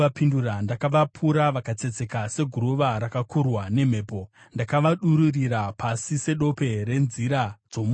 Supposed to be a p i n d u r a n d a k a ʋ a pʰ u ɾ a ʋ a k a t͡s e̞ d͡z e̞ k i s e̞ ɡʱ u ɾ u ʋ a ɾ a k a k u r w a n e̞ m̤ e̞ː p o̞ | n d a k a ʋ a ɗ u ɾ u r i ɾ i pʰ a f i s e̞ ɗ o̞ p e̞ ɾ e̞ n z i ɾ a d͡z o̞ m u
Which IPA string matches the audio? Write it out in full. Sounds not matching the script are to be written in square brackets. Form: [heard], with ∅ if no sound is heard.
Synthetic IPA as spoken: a p i n d u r a n d a k a ʋ a pʰ u ɾ a ʋ a k a t͡s e̞ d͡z e̞ k [a] s e̞ ɡʱ u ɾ u ʋ a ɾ a k a k u r w a n e̞ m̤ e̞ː p o̞ | n d a k a ʋ a ɗ u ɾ u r i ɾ [a] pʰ a [s] i s e̞ ɗ o̞ p e̞ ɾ e̞ n z i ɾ a d͡z o̞ m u